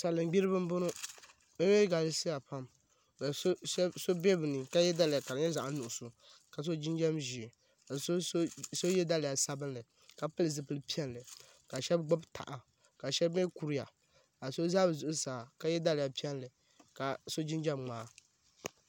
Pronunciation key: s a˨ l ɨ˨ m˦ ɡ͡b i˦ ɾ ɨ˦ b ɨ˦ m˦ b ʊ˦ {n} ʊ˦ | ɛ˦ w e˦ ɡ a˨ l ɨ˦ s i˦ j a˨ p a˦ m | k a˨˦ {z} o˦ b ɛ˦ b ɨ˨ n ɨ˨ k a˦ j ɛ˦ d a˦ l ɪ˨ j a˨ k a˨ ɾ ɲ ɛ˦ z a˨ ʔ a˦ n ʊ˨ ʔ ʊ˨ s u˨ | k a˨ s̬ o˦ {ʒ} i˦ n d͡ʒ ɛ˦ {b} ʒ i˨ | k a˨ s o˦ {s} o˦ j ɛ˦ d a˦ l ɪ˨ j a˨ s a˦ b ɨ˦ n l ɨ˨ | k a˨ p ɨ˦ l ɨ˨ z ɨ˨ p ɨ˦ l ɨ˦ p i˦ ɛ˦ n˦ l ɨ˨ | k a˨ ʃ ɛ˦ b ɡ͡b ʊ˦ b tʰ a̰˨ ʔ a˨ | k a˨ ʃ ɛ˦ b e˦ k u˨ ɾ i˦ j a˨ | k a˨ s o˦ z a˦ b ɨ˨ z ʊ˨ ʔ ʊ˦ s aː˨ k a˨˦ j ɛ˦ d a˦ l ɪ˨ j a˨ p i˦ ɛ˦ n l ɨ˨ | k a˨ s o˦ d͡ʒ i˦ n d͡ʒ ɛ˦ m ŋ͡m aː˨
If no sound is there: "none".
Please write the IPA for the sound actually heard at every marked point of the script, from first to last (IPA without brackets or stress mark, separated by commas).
n, s, d͡ʒ, m, s